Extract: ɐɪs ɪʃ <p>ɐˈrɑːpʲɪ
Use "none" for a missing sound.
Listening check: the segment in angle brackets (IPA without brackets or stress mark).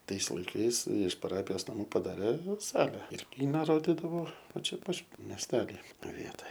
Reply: p